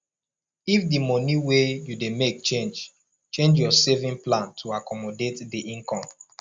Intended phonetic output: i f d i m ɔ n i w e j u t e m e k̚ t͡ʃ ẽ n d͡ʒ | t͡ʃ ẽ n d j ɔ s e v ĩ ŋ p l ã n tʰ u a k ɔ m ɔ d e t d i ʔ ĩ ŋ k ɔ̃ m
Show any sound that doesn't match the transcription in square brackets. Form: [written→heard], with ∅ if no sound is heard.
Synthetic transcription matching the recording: i f d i m ɔ n i w e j u [t→d] e m e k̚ t͡ʃ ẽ n d͡ʒ | t͡ʃ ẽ n [d→d͡ʒ] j ɔ s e v ĩ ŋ p l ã n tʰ u a k ɔ m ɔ d e t d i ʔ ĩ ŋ k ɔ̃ m